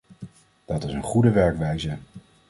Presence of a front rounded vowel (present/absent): absent